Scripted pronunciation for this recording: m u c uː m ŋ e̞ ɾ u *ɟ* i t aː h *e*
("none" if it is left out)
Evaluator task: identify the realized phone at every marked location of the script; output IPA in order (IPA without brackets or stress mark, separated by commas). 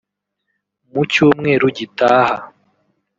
ɟ, a